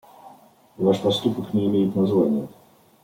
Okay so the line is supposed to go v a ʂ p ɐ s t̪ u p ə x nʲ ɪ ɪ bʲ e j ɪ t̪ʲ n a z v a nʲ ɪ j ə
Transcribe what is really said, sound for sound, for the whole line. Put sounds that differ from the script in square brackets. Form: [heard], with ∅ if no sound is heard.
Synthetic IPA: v a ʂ p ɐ s t̪ u p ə [k] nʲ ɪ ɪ [mʲ] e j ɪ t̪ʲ n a z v a nʲ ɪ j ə

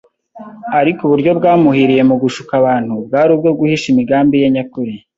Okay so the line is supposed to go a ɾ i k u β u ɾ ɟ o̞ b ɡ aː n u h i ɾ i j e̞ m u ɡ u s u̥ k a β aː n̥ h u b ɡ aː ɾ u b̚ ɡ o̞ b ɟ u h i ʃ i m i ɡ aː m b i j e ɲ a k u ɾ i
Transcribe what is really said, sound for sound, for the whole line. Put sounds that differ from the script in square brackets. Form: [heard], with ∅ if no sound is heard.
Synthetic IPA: a ɾ i k u β u ɾ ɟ o̞ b ɡ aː [m] u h i ɾ i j e̞ m u ɡ u [ʃ] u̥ k a β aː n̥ h u b ɡ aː ɾ u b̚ ɡ o̞ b [ɡ] u h i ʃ i m i ɡ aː m b i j e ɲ a k u ɾ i

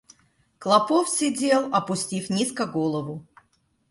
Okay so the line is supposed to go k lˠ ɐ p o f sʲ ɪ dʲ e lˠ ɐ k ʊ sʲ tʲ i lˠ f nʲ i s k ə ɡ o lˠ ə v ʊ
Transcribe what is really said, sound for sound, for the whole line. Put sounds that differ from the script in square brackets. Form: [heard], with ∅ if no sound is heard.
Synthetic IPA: k lˠ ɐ p o f sʲ ɪ dʲ e lˠ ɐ [p] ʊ sʲ tʲ i [∅] f nʲ i s k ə ɡ o lˠ ə v ʊ

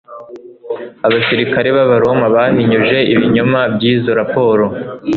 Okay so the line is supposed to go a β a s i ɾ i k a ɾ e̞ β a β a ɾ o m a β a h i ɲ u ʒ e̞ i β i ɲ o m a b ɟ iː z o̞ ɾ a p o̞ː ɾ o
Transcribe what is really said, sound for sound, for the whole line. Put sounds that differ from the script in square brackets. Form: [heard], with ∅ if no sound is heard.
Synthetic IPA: a β a s i ɾ i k a ɾ e̞ β a β a ɾ o m a β a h i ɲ u ʒ e̞ i β i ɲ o m a b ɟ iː z o̞ ɾ a p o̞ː ɾ o

